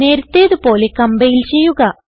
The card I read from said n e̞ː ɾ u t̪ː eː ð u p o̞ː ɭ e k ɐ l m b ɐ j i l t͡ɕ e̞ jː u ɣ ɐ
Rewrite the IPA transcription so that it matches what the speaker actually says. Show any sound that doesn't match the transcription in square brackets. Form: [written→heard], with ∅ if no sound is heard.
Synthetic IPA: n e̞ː ɾ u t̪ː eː ð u p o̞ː [ɭ→l] e k ɐ [l→∅] m b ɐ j i l t͡ɕ e̞ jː u ɣ ɐ